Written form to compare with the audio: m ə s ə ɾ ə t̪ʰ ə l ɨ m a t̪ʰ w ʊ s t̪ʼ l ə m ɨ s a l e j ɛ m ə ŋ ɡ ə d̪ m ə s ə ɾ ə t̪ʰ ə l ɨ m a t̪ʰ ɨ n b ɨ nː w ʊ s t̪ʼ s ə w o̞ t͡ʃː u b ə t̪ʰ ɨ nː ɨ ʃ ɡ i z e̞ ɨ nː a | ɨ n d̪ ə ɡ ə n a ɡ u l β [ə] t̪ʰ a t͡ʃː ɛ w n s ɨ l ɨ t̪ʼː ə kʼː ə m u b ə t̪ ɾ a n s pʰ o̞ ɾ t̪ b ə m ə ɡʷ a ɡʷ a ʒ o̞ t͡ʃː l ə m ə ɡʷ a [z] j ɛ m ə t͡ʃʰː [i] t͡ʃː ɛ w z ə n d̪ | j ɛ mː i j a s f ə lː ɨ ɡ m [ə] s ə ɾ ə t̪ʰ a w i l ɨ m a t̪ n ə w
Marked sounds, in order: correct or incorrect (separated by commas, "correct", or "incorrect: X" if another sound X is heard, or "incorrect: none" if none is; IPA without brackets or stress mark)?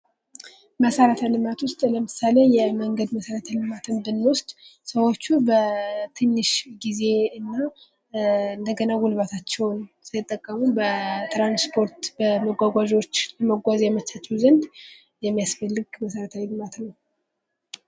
incorrect: a, correct, incorrect: a, correct